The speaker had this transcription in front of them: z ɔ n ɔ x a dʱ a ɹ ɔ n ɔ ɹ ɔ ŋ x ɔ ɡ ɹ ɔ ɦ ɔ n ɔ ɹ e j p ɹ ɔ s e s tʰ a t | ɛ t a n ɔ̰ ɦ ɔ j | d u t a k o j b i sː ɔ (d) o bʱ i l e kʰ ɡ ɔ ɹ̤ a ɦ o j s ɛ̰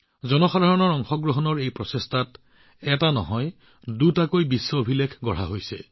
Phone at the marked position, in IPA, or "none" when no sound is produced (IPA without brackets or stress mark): none